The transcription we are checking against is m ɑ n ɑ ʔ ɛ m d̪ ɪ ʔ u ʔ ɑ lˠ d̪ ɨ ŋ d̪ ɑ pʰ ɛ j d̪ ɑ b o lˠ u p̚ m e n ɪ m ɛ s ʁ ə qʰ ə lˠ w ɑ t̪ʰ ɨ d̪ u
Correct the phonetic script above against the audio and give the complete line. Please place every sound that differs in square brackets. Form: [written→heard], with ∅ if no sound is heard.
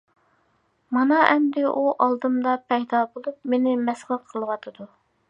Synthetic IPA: m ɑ n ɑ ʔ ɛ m d̪ ɪ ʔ u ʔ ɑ lˠ d̪ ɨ [ŋ→m] d̪ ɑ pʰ ɛ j d̪ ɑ b o lˠ u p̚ m e n ɪ m ɛ s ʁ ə qʰ ə lˠ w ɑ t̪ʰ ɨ d̪ u